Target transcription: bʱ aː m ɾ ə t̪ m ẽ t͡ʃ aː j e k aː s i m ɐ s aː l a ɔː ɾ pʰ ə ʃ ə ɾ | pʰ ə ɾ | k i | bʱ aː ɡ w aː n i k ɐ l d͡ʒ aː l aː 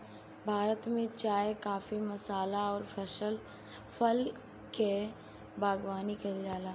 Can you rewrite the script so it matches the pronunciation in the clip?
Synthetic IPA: bʱ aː ɾ ə t̪ m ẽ t͡ʃ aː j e k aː f i m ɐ s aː l a ɔː ɾ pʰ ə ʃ ə l | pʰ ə l | k e | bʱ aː ɡ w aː n i k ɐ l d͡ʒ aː l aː